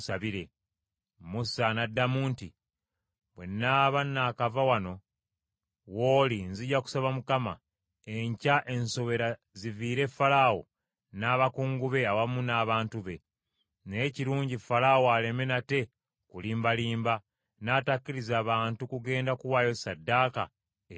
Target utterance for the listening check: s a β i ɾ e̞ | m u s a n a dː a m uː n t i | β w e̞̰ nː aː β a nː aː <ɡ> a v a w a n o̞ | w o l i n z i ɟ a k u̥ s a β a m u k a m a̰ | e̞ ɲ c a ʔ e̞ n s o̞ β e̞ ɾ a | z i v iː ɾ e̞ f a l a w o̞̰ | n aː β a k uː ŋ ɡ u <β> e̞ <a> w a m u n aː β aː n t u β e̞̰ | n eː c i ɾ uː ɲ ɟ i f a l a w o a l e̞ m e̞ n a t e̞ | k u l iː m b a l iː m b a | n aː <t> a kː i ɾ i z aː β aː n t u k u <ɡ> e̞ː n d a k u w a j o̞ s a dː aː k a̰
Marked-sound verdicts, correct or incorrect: incorrect: k, correct, correct, correct, correct

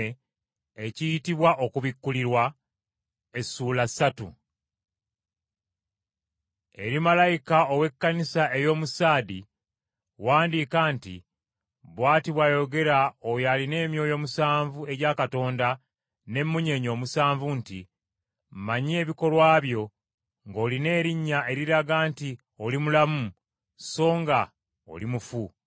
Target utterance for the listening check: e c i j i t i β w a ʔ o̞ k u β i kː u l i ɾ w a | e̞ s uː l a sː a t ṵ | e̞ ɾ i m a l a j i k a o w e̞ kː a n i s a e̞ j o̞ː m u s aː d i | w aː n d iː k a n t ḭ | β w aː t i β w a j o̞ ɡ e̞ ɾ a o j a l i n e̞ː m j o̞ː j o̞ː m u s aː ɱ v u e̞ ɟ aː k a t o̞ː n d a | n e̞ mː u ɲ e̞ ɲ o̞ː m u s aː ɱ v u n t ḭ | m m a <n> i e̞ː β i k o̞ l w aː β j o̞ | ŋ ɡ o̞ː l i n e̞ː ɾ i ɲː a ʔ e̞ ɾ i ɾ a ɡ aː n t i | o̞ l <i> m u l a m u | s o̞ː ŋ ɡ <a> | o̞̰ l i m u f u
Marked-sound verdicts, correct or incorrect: incorrect: ɲ, correct, correct

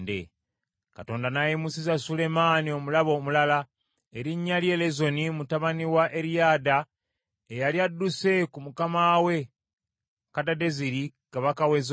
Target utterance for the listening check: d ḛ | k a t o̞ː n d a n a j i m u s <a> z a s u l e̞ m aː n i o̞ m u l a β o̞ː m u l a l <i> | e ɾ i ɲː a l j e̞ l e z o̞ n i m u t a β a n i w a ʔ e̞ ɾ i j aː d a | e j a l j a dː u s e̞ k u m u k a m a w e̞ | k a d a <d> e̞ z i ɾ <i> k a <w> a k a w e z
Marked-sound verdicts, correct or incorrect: incorrect: i, incorrect: a, correct, correct, incorrect: β

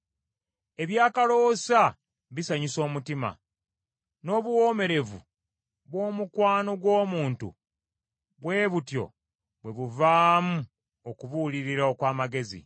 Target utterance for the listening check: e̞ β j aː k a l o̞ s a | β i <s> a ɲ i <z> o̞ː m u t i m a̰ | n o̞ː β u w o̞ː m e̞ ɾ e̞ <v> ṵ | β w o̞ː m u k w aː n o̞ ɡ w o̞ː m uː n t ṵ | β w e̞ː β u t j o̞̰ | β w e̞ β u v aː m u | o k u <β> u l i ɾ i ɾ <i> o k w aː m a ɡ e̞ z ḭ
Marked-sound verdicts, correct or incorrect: correct, incorrect: s, correct, correct, incorrect: a

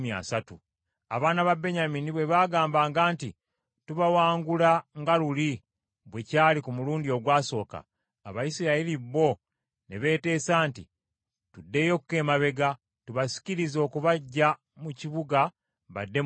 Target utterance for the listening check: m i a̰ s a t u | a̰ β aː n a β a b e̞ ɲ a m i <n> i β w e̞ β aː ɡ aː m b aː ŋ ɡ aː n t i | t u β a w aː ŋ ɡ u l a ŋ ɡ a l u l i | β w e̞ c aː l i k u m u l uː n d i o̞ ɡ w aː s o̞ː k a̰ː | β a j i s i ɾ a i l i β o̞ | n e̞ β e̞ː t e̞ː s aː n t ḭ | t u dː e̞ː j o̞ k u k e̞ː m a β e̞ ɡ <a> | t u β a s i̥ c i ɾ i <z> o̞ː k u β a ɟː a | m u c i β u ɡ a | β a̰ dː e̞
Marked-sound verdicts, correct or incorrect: correct, correct, correct

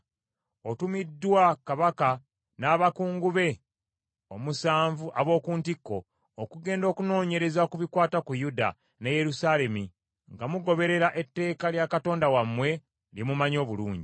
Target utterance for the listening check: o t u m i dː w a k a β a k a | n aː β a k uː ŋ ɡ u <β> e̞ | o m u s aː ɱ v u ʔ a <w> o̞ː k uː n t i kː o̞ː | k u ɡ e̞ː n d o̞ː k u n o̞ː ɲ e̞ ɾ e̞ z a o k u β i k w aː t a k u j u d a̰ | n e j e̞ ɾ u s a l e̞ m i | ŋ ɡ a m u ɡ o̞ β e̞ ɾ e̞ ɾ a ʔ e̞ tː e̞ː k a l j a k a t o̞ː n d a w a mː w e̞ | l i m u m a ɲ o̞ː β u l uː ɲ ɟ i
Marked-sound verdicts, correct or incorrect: correct, incorrect: β

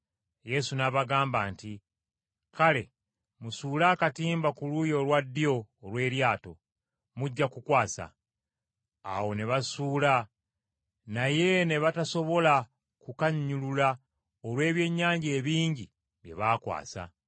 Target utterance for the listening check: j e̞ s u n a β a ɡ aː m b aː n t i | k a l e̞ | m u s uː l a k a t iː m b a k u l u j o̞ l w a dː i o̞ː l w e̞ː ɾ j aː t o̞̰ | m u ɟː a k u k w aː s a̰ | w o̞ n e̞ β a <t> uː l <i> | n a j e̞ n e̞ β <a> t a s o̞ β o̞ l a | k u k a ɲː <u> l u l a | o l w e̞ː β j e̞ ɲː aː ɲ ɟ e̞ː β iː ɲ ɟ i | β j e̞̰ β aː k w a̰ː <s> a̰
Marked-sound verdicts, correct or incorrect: incorrect: s, incorrect: a, correct, correct, correct

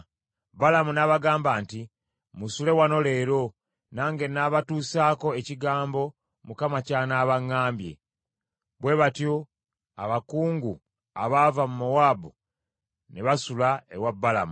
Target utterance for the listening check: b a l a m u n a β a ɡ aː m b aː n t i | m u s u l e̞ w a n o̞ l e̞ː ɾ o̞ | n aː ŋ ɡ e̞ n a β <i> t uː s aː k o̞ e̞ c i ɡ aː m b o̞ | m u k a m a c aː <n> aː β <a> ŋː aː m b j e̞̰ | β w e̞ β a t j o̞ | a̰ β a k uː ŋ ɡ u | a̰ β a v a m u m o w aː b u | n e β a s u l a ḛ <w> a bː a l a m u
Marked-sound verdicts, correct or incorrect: incorrect: a, correct, correct, correct

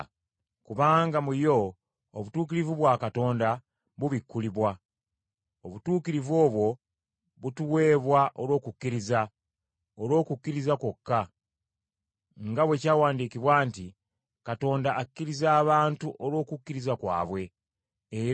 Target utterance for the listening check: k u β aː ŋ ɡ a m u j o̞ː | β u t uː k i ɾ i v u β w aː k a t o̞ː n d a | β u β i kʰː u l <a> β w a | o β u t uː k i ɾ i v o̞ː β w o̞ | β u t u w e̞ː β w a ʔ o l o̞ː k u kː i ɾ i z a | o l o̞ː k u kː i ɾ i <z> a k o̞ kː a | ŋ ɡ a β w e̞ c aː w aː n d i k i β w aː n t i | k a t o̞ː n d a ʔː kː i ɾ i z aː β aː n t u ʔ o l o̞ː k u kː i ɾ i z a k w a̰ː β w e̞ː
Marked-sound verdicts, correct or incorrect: incorrect: i, correct

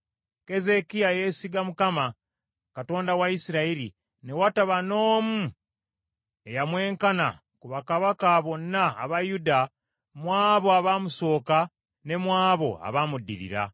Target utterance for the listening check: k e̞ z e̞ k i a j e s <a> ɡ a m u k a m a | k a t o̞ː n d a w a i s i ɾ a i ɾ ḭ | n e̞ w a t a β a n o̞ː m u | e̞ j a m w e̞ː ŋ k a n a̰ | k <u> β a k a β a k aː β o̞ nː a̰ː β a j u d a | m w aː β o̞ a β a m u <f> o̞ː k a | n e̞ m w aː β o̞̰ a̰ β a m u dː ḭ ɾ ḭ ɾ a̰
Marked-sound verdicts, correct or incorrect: incorrect: i, correct, incorrect: s

